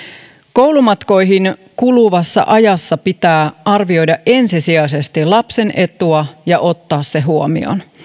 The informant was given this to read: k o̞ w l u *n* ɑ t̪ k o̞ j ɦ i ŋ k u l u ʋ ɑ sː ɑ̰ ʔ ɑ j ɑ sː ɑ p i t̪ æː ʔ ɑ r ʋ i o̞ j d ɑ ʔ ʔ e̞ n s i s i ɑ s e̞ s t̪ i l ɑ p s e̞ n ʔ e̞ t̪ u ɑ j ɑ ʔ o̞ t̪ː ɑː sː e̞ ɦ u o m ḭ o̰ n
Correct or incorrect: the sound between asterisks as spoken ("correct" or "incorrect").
incorrect